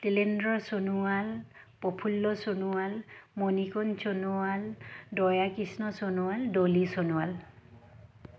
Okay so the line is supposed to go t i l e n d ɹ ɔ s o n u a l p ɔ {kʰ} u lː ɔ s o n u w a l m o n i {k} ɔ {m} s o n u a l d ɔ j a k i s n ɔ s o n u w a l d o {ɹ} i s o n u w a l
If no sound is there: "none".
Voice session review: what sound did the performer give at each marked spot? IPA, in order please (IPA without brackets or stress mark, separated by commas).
pʰ, k, n, l